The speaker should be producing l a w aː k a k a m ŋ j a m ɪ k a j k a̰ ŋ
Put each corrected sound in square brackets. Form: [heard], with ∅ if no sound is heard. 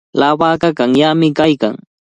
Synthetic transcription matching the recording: l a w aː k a k a [∅] ŋ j a m ɪ k a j k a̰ ŋ